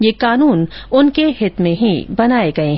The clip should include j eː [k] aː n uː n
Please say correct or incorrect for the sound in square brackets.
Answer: correct